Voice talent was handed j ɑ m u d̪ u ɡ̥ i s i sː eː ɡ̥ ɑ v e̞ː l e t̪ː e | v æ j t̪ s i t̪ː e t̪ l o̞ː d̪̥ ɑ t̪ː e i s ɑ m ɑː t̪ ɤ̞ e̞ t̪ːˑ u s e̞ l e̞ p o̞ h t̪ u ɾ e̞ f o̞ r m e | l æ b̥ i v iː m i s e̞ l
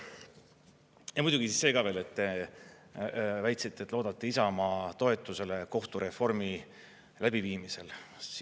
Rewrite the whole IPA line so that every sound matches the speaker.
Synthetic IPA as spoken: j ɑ m u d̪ u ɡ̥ i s i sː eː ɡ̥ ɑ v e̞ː l e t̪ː e | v æ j t̪ s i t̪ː e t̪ l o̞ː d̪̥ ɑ t̪ː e i s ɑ m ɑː t̪ o̞ e̞ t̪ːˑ u s e̞ l e̞ k o̞ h t̪ u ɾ e̞ f o̞ r m i | l æ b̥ i v iː m i s e̞ l